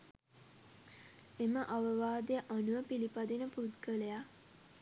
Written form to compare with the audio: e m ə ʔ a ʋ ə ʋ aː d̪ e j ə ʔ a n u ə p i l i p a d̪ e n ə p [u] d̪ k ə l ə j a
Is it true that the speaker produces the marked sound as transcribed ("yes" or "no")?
yes